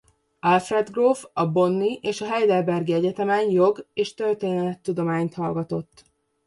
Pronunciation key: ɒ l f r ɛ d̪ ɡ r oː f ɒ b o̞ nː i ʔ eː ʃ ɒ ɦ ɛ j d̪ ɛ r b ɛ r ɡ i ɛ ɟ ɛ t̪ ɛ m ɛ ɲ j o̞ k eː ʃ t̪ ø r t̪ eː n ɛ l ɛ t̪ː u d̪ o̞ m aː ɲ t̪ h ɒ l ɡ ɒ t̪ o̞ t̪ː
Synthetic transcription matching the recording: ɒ l f r ɛ d̪ ɡ r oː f ɒ b o̞ nː i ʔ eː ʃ ɒ ɦ ɛ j d̪ ɛ l b ɛ r ɡ i ɛ ɟ ɛ t̪ ɛ m ɛ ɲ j o̞ ɡ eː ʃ t̪ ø r t̪ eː n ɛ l ɛ t̪ː u d̪ o̞ m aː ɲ t̪ h ɒ l ɡ ɒ t̪ o̞ t̪ː